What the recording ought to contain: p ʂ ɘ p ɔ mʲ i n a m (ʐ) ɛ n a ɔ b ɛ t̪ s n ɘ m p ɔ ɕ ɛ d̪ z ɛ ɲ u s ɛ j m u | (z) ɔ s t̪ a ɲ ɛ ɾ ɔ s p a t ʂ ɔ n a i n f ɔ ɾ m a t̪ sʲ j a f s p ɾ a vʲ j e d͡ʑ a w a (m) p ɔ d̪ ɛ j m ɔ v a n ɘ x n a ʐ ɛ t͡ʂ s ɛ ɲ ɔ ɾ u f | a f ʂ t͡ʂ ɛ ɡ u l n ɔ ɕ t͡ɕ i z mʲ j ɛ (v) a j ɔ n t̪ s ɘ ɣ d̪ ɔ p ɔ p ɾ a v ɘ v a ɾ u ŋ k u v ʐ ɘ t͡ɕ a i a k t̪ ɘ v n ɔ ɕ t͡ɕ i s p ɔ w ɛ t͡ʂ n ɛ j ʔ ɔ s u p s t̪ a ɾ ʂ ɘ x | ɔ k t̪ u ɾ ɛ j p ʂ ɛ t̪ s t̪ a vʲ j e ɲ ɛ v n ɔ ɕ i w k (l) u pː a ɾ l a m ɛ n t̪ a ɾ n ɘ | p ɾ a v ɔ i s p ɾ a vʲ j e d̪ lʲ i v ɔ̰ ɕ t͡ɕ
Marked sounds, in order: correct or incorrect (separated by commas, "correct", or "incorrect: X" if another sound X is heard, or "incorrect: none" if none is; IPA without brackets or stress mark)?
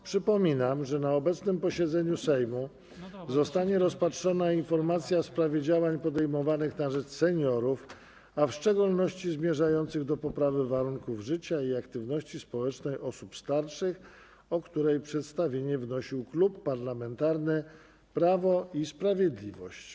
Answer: correct, correct, incorrect: ɲ, incorrect: ʐ, correct